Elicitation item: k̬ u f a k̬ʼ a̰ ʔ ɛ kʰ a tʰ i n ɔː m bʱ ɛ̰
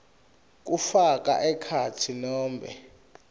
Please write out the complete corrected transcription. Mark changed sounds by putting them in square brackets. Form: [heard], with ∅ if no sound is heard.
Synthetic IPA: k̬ u f a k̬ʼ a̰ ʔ ɛ kʰ a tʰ i n ɔː m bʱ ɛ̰